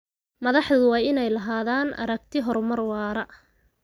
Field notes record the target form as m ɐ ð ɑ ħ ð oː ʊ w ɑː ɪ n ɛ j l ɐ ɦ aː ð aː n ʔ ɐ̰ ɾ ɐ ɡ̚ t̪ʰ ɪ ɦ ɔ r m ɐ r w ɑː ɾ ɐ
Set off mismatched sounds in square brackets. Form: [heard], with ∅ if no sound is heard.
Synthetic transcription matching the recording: m ɐ ð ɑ ħ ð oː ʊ w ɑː ɪ n ɛ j l ɐ ɦ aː ð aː n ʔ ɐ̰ ɾ ɐ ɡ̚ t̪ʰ ɪ ɦ ɔ r m ɐ r w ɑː ɾ ɐ